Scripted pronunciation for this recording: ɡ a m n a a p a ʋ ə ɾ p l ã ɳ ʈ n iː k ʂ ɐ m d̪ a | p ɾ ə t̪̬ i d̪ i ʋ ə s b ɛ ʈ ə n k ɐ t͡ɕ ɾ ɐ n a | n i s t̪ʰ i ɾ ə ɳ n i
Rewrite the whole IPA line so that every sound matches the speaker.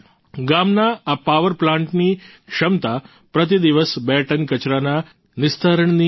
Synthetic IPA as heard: ɡ a m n a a p a ʋ ə ɾ p l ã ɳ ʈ n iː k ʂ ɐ m t̪ a | p ɾ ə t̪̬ i d̪ i ʋ ə s b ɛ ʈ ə n k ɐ t͡ɕ ɾ a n a | n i s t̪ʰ a ɾ ə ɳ n i

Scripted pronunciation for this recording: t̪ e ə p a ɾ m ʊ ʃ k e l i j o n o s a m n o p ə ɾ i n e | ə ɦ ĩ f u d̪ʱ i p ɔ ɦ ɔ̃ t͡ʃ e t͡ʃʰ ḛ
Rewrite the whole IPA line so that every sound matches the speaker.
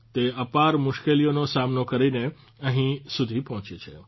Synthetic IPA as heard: t̪ e ə p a ɾ m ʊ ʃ k e l i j o n o s a m n o k ə ɾ i n e | ə ɦ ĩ s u d̪ʱ i p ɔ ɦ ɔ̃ t͡ʃ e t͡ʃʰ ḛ

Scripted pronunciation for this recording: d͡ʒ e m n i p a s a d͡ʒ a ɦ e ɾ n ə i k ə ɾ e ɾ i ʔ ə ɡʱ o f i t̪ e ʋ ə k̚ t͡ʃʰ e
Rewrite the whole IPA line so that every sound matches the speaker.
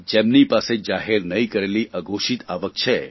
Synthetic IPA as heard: d͡ʒ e m n i p a s e d͡ʒ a ɦ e ɾ n ə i k ə ɾ e l i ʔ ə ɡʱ o ʃ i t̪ a ʋ ə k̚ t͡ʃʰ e

